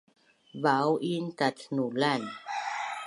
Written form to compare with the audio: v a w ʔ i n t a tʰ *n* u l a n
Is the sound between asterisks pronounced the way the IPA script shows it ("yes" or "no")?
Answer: yes